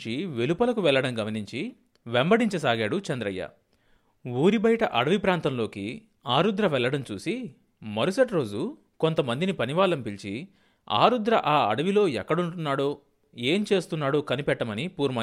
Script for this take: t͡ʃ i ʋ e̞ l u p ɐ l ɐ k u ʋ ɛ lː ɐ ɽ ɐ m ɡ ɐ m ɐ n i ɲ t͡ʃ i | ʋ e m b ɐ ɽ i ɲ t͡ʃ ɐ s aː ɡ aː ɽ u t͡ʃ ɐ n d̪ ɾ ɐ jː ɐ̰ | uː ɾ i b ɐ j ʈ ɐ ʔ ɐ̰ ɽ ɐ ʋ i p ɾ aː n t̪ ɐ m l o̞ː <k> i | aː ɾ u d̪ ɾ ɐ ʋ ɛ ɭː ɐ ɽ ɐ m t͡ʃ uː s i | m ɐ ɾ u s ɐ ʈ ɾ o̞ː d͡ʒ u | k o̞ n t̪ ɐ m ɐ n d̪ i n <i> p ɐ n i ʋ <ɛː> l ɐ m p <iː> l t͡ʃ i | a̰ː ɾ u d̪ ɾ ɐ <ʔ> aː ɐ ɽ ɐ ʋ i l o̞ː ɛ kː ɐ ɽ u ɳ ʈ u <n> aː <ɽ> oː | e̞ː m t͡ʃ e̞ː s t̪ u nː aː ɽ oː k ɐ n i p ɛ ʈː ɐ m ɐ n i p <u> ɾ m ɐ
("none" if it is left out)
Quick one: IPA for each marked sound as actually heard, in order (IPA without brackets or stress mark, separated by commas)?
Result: k, i, aː, i, ʔ, nː, ɽ, uː